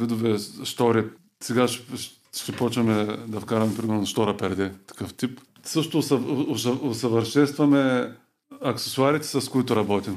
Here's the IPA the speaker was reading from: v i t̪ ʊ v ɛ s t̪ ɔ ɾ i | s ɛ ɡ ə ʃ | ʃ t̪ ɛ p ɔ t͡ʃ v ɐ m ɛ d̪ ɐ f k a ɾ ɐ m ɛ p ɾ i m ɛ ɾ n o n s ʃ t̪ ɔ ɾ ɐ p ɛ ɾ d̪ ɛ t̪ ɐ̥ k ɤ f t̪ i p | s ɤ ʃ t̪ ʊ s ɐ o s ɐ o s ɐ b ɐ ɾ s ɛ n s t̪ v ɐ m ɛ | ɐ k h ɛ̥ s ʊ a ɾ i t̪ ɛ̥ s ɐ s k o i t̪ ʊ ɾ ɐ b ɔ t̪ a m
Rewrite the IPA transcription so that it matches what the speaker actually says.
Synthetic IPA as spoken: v i d̪ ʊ v ɛ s t̪ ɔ ɾ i | s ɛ ɡ a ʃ | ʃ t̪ ɛ p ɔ t͡ʃ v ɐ m ɛ d̪ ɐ f k a ɾ ɐ m ɛ p ɾ i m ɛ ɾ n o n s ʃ t̪ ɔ ɾ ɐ p ɛ ɾ d̪ ɛ t̪ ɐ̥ k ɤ f t̪ i p | s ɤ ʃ t̪ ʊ s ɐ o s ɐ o s ɐ v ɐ ɾ ʃ ɛ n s t̪ v ɐ m ɛ | ɐ k s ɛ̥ s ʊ a ɾ i t̪ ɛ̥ s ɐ s k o i t̪ ʊ ɾ ɐ b ɔ t̪ i m